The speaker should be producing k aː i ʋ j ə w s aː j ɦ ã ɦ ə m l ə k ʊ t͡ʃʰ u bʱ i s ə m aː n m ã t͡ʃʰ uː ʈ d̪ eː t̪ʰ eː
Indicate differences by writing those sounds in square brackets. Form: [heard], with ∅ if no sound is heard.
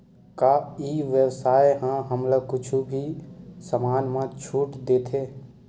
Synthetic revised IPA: k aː i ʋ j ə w s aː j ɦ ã ɦ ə m l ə k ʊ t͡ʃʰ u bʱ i s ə m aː n m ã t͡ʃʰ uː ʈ d̪ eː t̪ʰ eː